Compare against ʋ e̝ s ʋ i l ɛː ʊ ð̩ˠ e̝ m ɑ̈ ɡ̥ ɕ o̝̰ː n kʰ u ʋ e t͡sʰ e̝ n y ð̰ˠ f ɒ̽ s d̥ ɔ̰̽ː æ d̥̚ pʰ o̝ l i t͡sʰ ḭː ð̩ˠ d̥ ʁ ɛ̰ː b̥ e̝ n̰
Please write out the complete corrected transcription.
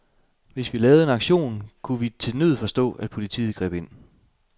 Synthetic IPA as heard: ʋ e̝ s ʋ i l ɛː ʊ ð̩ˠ e̝ n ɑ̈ ɡ̥ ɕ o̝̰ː n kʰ u ʋ i t͡sʰ e̝ n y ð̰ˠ f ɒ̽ s d̥ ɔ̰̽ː æ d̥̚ pʰ o̝ l i t͡sʰ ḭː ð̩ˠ ɡ̥ ʁ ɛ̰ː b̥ e̝ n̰